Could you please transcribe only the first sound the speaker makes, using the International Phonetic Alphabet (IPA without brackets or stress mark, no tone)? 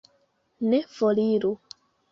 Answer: n